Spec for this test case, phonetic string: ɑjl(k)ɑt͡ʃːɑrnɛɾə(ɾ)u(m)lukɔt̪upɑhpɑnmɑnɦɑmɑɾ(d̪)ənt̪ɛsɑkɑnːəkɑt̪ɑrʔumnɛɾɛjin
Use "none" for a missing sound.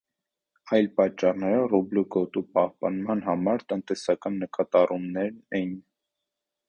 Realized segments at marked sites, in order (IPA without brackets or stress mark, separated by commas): p, r, b, t̪